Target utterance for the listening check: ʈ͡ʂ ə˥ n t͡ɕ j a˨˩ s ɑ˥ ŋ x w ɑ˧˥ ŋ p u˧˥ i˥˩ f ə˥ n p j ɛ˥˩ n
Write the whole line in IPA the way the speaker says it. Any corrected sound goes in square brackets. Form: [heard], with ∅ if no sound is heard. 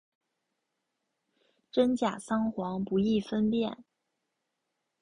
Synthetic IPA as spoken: ʈ͡ʂ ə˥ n t͡ɕ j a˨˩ s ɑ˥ ŋ x w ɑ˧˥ ŋ p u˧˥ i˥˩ f ə˥ n p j ɛ˥˩ n